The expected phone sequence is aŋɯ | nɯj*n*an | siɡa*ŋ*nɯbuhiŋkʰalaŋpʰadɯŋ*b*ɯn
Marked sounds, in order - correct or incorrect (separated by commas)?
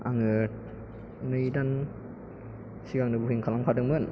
incorrect, correct, incorrect